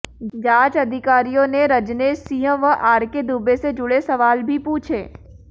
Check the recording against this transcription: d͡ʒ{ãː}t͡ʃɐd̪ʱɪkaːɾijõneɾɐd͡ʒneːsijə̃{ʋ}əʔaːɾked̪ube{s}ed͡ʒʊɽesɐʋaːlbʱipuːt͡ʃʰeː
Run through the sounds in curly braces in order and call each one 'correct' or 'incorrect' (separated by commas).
incorrect, correct, correct